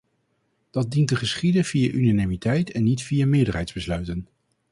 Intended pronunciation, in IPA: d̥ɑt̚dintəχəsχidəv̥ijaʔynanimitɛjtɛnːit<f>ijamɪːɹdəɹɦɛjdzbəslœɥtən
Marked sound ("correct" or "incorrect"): correct